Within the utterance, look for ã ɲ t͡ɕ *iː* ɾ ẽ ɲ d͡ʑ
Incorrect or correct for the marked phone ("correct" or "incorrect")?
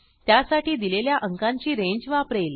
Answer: correct